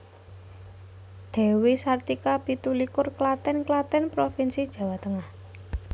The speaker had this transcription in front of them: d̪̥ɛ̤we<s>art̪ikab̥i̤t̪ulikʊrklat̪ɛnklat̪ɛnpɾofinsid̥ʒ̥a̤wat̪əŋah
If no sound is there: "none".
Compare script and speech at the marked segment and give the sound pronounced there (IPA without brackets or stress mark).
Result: s